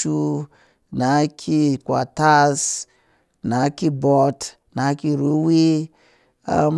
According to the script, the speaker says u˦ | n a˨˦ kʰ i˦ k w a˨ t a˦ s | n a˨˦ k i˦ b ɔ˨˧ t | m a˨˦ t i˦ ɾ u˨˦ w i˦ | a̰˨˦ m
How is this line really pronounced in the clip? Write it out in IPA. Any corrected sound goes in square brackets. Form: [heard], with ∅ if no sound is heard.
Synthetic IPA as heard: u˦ | n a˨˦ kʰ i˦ k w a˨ t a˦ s | n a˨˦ k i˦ b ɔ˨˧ t | [n] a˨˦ [k] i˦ ɾ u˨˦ w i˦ | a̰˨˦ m